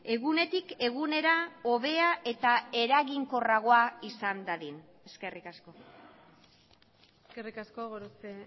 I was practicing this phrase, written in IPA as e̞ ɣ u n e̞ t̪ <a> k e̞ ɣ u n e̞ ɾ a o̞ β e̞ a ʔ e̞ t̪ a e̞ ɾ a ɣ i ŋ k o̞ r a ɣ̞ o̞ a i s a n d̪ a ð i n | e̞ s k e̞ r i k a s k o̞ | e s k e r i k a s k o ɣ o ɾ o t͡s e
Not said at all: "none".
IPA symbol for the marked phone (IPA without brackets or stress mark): i